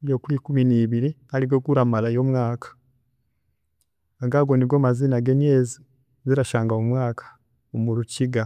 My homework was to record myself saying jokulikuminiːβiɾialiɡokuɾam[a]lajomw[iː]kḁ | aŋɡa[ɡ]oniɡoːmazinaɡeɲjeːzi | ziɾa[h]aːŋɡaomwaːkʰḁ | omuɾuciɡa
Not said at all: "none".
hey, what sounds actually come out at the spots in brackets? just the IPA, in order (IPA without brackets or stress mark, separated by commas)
a, aː, ɡ, ʃ